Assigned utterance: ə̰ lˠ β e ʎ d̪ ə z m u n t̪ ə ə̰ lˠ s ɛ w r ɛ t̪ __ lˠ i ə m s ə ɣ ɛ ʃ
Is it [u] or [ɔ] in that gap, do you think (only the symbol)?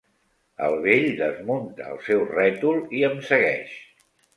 u